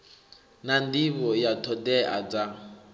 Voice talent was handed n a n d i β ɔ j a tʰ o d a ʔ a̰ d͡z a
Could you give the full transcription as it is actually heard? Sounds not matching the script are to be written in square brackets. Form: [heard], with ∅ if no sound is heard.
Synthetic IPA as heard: n a n d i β ɔ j a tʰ [ɔ] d [ɛ] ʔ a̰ d͡z a